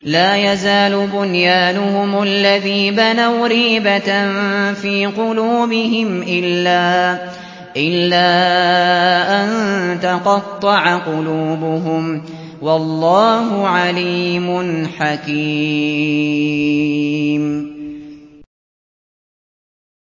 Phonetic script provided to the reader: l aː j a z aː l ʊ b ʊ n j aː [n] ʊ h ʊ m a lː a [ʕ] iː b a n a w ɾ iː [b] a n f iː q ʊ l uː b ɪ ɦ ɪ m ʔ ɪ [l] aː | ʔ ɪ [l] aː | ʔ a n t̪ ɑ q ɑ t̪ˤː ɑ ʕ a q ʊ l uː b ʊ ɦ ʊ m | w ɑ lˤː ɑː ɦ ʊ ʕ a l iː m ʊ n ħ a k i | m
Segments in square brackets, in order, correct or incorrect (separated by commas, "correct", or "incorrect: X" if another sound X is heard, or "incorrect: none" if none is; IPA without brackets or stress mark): correct, incorrect: ð, correct, incorrect: lː, incorrect: lː